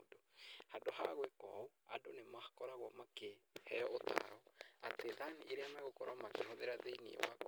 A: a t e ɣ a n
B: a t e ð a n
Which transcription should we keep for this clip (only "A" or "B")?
B